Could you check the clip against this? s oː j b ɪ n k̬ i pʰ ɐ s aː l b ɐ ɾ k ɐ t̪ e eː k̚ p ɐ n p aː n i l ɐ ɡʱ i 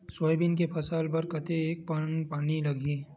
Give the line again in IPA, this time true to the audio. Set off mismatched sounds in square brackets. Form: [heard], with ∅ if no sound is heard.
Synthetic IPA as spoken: s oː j b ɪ n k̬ [e] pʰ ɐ s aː l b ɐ ɾ k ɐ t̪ e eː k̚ p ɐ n p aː n i l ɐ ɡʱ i